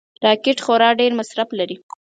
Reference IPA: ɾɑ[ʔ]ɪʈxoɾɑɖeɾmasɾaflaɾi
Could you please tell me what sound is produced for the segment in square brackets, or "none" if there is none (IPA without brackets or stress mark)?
k